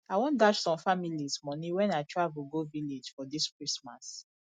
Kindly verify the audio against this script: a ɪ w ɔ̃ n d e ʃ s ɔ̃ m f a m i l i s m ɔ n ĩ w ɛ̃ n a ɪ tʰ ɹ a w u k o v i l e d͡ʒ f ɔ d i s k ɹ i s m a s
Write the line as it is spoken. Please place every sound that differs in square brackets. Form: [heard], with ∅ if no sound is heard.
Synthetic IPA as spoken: a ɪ w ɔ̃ n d [a] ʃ s ɔ̃ m f a m i l i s m ɔ n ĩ w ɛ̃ n a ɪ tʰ ɹ a [v] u [ɡ] o v i l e d͡ʒ f ɔ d i s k ɹ i s m a s